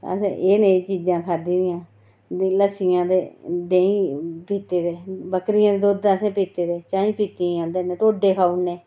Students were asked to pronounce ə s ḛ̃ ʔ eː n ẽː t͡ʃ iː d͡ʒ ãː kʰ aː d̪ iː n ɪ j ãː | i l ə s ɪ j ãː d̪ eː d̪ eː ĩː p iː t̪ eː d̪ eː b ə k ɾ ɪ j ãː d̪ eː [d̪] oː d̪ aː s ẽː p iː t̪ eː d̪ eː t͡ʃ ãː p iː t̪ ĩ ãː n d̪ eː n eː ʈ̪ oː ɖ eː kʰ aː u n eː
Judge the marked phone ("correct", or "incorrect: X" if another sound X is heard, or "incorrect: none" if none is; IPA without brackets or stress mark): correct